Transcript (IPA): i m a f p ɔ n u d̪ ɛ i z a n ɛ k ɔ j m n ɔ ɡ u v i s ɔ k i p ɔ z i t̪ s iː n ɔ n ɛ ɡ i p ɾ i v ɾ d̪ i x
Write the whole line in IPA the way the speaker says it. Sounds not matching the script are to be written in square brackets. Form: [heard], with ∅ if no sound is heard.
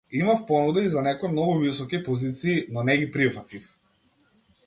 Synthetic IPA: i m a f p ɔ n u d̪ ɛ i z a n ɛ k ɔ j m n ɔ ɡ u v i s ɔ k i p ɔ z i t̪ s iː n ɔ n ɛ ɡ i p ɾ i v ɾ [t̪] i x